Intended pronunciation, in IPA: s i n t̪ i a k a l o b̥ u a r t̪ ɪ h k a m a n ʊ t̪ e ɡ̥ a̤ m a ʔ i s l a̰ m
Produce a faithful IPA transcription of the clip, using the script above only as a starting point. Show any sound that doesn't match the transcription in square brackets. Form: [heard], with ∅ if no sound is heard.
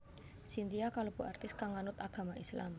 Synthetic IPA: s i n t̪ i a k a l o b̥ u a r t̪ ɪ [s] k a [ŋ] a n ʊ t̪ [a] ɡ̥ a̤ m a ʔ i s l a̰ m